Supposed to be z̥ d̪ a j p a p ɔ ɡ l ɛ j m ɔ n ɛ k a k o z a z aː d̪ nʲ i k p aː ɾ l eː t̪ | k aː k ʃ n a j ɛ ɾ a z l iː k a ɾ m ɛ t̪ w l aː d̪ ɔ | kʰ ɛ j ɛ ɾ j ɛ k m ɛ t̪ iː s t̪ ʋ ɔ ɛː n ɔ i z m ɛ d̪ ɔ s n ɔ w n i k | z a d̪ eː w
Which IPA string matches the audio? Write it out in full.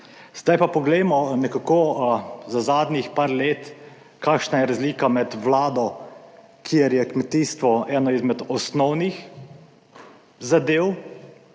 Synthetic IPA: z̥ d̪ a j p a p ɔ ɡ l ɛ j m ɔ n ɛ k a k o z a z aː d̪ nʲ i x p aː ɾ l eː t̪ | k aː k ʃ n a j ɛ ɾ a z l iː k a m ɛ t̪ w l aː d̪ ɔ | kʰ i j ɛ ɾ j ɛ k m ɛ t̪ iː s t̪ ʋ ɔ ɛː n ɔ i z m ɛ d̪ ɔ s n ɔ w n i x | z a d̪ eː w